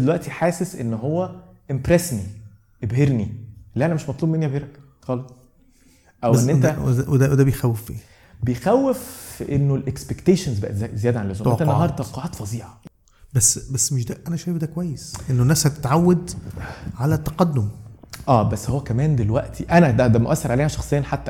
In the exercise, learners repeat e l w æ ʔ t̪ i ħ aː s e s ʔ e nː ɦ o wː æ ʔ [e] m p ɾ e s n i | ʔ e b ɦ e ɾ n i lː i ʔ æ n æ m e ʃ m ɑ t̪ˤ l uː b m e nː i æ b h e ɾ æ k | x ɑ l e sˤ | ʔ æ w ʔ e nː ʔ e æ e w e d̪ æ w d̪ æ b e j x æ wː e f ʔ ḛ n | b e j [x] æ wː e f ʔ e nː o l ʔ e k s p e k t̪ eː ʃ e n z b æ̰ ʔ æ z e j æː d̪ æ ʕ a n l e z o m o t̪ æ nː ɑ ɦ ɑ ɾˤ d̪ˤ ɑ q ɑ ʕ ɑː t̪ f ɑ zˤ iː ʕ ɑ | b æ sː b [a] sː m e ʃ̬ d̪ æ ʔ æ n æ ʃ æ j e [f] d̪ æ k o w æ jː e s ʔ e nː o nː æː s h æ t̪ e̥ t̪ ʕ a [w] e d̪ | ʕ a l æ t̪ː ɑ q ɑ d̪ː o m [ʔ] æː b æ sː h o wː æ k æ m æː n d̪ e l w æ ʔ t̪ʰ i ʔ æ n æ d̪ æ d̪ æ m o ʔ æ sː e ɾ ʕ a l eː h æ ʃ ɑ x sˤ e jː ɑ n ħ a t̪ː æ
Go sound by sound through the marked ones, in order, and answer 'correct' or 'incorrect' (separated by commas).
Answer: correct, correct, incorrect, correct, incorrect, correct